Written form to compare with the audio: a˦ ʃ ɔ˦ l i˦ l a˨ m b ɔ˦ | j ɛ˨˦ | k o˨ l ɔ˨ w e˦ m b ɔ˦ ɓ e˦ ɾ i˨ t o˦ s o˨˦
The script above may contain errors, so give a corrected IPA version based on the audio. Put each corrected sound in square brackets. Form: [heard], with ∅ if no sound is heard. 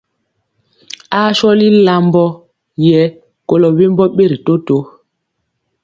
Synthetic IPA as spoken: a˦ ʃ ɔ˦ l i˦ l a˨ m b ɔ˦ | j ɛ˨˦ | k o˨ l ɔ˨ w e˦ m b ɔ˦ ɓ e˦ ɾ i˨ t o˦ [t] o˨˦